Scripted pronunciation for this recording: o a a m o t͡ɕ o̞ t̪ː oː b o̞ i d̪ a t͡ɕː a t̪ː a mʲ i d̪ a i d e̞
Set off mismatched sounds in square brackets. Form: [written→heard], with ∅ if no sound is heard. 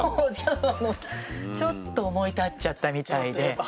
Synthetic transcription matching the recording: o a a [m→n] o t͡ɕ o̞ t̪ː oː [b→m] o̞ i [d̪→t̪] a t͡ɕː a t̪ː a mʲ i [d̪→t̪] a i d e̞